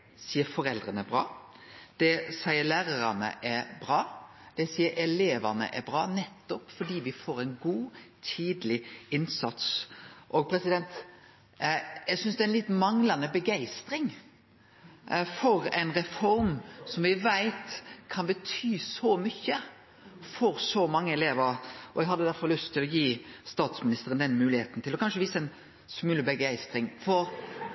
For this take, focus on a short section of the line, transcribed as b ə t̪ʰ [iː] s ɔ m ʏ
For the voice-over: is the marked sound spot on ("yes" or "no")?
no